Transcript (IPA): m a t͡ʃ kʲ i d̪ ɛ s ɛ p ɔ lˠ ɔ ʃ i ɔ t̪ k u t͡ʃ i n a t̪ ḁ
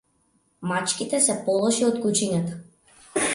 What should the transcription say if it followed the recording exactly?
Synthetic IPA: m a t͡ʃ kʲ i t̪ ɛ s ɛ p ɔ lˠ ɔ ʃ i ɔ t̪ k u t͡ʃ i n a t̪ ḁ